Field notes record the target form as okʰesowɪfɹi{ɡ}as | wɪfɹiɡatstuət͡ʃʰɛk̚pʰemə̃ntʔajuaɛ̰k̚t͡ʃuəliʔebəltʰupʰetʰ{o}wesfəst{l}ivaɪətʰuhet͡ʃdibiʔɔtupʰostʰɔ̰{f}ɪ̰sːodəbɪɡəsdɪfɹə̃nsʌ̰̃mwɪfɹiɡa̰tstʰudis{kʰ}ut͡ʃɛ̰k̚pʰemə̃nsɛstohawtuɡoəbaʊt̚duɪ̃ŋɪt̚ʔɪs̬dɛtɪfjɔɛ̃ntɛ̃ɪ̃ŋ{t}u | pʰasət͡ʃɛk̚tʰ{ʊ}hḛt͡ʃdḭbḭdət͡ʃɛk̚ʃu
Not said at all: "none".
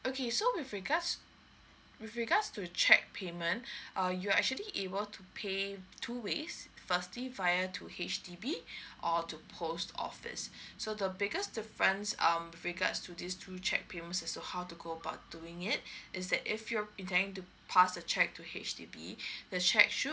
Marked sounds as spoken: ɡ, u, l, f, tʰ, t, u

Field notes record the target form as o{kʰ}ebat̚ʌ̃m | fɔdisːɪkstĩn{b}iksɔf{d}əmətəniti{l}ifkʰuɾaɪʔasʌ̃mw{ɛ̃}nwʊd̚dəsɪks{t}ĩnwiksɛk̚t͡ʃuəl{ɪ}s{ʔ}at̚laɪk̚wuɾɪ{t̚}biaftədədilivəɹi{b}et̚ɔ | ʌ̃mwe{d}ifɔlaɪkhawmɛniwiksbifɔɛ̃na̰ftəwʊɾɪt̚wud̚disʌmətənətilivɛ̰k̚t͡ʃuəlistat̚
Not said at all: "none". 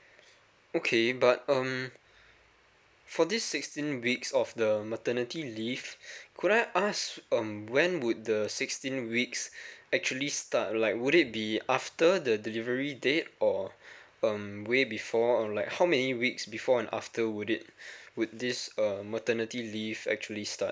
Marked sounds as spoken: kʰ, w, d, l, ɛ̃, t, i, t, t̚, d, b

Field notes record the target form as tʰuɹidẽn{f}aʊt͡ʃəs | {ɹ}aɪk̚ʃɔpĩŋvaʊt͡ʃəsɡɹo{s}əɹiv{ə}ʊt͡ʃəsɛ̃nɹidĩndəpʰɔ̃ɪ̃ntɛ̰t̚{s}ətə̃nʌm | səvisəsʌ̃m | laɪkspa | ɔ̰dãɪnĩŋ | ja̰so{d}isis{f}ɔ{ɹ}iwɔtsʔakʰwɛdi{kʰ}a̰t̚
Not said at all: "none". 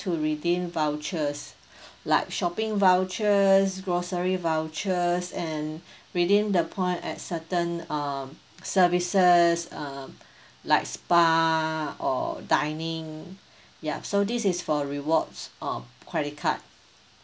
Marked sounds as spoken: v, l, s, a, s, d, f, ɹ, kʰ

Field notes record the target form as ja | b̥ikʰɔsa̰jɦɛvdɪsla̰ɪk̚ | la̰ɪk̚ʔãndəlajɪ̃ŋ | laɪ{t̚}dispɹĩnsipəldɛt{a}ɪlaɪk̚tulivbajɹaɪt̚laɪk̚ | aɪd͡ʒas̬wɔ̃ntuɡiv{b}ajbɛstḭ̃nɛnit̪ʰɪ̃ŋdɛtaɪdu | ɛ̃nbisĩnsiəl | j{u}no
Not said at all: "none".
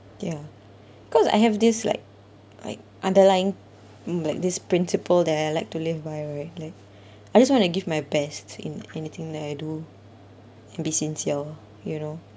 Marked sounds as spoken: k̚, a, m, u

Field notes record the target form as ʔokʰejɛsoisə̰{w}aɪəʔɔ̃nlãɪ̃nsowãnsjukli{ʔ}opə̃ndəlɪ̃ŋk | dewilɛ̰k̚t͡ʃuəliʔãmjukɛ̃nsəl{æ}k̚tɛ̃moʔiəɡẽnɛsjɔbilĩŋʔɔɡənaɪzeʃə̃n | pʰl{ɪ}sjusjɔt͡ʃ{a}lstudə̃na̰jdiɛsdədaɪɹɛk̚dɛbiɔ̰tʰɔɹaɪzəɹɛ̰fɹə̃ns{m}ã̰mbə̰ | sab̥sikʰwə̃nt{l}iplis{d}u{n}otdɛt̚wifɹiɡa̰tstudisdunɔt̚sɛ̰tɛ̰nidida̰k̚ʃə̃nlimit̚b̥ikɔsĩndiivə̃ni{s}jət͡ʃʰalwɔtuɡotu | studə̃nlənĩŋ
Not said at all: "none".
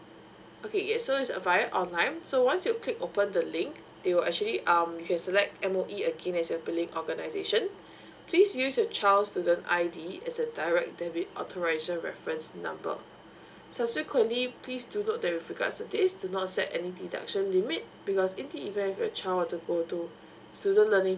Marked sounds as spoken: v, k, ɛ, i, a, n, l, d, n, f

